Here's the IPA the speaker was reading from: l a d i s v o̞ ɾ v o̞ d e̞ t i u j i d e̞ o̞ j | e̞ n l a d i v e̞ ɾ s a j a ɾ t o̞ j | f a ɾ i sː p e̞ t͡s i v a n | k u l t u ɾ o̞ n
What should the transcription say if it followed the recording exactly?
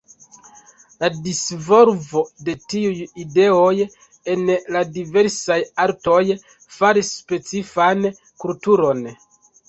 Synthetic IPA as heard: l a d i s v o̞ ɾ v o̞ d e̞ t i u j i d e̞ o̞ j | e̞ n l a d i v e̞ ɾ s a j a ɾ t o̞ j | f a ɾ i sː p e̞ t͡s i f a n | k u l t u ɾ o̞ n